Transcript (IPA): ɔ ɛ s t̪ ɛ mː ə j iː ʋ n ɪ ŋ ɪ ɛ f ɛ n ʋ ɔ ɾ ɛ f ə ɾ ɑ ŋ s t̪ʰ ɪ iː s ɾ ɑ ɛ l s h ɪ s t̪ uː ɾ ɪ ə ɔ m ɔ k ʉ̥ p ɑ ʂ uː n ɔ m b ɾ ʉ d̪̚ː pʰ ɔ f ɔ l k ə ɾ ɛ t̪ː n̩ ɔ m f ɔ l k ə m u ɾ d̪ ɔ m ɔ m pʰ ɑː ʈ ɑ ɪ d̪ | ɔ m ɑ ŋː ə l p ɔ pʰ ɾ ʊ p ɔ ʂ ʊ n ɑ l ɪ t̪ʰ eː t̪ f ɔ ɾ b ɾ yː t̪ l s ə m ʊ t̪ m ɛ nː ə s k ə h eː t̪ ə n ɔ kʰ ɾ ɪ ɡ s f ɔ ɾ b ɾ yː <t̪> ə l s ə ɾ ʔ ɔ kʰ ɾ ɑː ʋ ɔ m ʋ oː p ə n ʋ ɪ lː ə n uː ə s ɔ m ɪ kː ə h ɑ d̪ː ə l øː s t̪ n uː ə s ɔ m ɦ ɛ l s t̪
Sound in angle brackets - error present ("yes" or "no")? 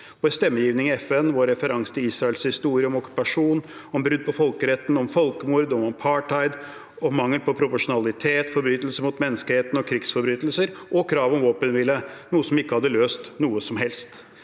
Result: no